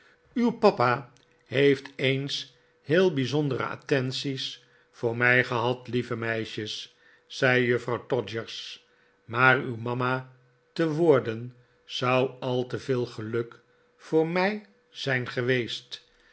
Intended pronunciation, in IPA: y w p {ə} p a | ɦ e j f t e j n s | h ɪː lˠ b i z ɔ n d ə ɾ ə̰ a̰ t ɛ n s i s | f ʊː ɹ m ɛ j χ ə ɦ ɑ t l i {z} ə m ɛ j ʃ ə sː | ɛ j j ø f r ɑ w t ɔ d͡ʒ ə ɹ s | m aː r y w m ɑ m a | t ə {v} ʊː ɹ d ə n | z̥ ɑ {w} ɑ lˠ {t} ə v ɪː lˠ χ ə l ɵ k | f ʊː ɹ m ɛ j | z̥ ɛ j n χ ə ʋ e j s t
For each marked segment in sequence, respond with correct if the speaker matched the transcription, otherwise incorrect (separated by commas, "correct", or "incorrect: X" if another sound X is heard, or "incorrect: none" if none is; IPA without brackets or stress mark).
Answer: incorrect: ɑ, incorrect: v, incorrect: ʋ, correct, correct